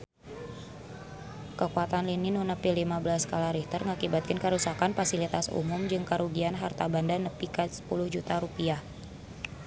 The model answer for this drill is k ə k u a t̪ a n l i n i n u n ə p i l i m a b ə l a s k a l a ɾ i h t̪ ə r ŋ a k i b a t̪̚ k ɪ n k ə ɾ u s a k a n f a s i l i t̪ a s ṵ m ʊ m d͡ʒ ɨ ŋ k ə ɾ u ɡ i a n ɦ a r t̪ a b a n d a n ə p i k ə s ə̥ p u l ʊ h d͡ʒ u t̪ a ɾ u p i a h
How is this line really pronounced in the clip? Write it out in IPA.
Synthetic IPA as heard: k ə k u a t̪ a n l i n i n u n ə p i l i m a b ə l a s k a l a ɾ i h t̪ ə r ŋ a k i b a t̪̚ k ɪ n k ə ɾ u s a k a n f a s i l i t̪ a s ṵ m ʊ m d͡ʒ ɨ ŋ k ə ɾ u ɡ i a n ɦ a r t̪ a b a n d a n ə p i k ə s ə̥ p u l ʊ h d͡ʒ u t̪ a ɾ u p i a h

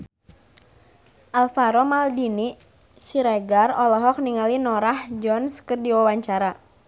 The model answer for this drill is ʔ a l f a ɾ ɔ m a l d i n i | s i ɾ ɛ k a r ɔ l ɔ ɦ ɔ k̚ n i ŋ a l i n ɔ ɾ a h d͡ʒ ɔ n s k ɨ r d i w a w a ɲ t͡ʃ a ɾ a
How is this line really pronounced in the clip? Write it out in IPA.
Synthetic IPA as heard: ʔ a l f a ɾ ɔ m a l d i n i | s i ɾ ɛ ɡ a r ɔ l ɔ ɦ ɔ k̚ n i ŋ a l i n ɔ ɾ a h d͡ʒ ɔ n s k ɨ r d i w a w a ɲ t͡ʃ a ɾ a

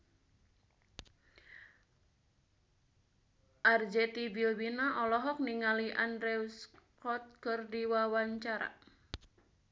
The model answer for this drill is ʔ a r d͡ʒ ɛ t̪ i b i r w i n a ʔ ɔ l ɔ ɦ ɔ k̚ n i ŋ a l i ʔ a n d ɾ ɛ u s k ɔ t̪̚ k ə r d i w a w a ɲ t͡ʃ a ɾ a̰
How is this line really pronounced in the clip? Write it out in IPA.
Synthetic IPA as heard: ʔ a r d͡ʒ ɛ t̪ i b i l w i n a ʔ ɔ l ɔ ɦ ɔ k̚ n i ŋ a l i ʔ a n d ɾ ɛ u s k ɔ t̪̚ k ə r d i w a w a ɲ t͡ʃ a ɾ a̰

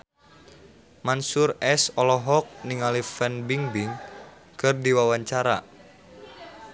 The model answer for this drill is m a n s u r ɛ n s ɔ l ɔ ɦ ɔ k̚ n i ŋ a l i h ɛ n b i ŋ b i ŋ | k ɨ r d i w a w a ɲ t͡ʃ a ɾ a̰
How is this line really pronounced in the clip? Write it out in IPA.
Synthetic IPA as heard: m a n s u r ɛ s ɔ l ɔ ɦ ɔ k̚ n i ŋ a l i f ɛ n b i ŋ b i ŋ | k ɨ r d i w a w a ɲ t͡ʃ a ɾ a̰

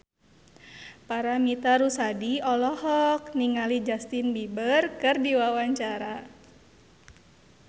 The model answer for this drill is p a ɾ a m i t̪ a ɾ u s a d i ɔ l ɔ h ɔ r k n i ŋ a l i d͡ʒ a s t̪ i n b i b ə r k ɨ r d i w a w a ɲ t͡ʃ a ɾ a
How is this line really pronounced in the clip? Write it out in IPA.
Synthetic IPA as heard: p a ɾ a m i t̪ a ɾ u s a d i ɔ l ɔ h ɔ k n i ŋ a l i d͡ʒ a s t̪ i n b i b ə r k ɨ r d i w a w a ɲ t͡ʃ a ɾ a

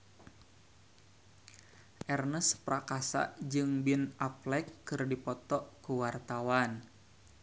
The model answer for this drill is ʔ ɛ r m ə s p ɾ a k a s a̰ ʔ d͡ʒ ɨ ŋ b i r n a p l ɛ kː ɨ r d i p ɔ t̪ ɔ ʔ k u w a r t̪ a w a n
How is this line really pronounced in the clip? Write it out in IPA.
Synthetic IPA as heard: ʔ ɛ r n ə s p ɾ a k a s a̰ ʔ d͡ʒ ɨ ŋ b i n a p l ɛ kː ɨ r d i p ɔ t̪ ɔ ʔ k u w a r t̪ a w a n

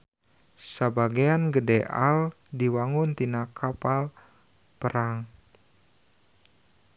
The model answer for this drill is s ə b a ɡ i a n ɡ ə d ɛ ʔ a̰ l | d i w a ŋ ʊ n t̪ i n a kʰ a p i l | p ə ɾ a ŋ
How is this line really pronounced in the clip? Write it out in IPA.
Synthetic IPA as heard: s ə b a ɡ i a n ɡ ə d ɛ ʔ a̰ l | d i w a ŋ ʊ n t̪ i n a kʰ a p a l | p ə ɾ a ŋ

